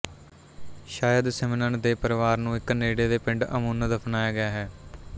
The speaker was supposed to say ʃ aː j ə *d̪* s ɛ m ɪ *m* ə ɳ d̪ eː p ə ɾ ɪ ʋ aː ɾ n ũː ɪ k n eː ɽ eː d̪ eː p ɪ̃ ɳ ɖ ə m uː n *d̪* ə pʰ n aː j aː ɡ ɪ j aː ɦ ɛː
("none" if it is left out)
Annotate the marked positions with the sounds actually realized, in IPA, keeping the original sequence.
d̪, n, d̪

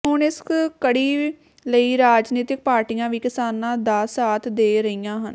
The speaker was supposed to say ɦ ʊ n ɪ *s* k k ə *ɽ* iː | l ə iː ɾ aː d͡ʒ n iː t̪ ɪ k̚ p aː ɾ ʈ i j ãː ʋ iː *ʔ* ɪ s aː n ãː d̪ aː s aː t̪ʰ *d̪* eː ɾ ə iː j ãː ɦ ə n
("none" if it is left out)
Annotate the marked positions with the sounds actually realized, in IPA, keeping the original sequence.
s, ɽ, k, d̪

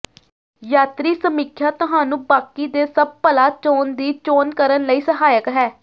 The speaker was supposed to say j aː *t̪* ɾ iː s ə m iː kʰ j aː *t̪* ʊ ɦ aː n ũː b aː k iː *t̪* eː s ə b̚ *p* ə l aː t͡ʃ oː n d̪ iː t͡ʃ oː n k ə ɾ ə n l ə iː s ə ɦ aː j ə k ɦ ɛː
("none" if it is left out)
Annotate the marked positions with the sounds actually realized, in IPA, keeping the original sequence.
t̪, t̪, d̪, p

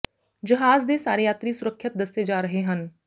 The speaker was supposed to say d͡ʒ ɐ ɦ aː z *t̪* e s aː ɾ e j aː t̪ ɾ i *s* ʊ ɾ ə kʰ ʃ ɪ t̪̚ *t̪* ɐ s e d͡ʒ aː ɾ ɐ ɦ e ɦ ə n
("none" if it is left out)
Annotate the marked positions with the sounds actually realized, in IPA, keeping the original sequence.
d̪, s, d̪

